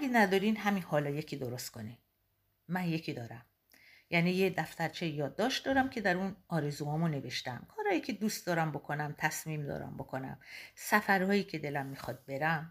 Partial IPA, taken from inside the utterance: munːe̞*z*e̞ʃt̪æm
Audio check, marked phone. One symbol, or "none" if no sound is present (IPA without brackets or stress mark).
v